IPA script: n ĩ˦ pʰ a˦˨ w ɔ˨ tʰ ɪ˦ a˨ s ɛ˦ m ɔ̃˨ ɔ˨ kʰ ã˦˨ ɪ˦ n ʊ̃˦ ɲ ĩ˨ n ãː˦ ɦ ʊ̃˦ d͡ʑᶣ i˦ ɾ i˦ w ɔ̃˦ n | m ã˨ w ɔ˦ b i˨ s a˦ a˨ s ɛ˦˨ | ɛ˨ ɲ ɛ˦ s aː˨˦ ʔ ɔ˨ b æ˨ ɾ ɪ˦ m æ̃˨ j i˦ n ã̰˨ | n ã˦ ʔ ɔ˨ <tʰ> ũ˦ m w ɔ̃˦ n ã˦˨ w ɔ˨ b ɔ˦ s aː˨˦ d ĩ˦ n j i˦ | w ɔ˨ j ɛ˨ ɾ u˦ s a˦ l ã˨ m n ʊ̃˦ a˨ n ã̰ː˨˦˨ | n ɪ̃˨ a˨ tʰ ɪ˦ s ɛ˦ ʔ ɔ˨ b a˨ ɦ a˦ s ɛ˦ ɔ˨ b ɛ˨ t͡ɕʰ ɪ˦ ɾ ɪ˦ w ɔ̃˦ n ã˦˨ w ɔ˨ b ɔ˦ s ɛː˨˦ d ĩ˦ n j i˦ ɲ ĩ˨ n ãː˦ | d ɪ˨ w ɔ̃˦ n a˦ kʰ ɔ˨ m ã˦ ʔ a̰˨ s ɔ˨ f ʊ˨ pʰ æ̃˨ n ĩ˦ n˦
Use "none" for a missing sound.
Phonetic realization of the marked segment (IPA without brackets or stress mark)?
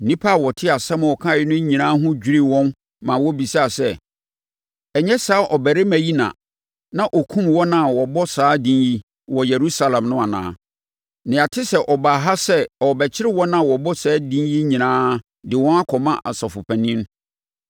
kʰ